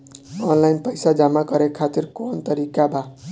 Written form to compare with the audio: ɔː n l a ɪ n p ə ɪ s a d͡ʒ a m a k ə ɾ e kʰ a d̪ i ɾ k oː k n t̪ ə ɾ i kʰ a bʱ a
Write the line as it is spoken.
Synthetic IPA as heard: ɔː n l a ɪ n p ə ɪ s a d͡ʒ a m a k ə ɾ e kʰ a t̪ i ɾ k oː n t̪ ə ɾ i k a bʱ a